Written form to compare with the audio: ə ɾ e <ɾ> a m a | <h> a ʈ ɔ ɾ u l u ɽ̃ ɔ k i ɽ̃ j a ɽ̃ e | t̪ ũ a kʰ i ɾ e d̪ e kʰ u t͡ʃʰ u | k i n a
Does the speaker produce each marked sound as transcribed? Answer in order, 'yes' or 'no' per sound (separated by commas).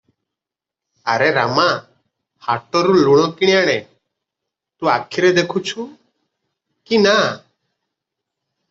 yes, yes